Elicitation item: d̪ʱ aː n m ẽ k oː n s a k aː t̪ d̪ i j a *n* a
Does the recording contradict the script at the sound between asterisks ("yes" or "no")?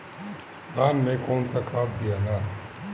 no